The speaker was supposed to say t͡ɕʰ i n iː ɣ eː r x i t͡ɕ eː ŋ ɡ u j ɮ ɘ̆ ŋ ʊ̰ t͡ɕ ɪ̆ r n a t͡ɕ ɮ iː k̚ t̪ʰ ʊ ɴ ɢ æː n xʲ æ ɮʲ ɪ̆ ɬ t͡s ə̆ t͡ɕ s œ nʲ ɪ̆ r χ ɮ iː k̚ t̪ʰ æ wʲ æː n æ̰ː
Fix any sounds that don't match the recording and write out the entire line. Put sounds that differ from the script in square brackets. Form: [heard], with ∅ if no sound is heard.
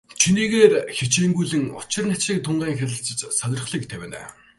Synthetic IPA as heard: t͡ɕʰ i n iː ɣ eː r x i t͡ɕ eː ŋ ɡ u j ɮ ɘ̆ ŋ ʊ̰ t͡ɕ ɪ̆ r n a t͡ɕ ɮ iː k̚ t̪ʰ ʊ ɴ ɢ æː [ŋ] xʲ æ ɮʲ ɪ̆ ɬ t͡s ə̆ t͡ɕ s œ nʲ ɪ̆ r χ ɮ iː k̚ t̪ʰ æ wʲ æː n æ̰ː

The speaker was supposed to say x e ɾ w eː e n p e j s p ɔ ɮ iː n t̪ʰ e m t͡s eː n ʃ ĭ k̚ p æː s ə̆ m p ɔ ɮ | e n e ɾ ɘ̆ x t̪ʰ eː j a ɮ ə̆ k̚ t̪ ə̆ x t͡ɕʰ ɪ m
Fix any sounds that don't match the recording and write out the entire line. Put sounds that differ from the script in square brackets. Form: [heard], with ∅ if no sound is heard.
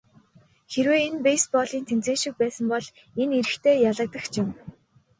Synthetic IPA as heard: x e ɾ w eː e n p e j s p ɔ ɮ iː n t̪ʰ e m t͡s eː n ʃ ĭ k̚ p æː s ə̆ m p ɔ ɮ | e n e ɾ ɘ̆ x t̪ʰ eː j a ɮ ə̆ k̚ t̪ ə̆ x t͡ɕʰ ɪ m

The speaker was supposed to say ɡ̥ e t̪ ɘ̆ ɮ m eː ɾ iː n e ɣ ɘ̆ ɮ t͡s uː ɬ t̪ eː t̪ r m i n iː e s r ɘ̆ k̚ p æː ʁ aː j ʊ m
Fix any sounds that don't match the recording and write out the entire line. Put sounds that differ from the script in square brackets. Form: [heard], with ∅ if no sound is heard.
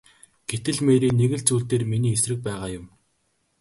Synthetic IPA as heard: ɡ̥ e t̪ ɘ̆ ɮ m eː ɾ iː n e ɣ ɘ̆ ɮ t͡s uː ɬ t̪ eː [∅] r m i n iː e s r ɘ̆ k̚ p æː ʁ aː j ʊ m

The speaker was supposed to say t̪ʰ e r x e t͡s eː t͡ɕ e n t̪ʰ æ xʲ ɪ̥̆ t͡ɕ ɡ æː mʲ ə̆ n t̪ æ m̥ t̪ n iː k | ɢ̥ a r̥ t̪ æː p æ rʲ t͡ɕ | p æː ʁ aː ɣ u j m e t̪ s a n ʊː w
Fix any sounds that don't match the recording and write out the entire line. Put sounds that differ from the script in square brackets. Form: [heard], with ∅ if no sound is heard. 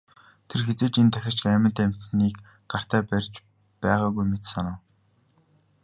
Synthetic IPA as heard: t̪ʰ e r x e t͡s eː t͡ɕ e n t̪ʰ æ xʲ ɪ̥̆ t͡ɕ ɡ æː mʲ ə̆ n t̪ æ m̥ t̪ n iː k | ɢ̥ a r̥ t̪ æː p æ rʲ t͡ɕ | p æː ʁ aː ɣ u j m e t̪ s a n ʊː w

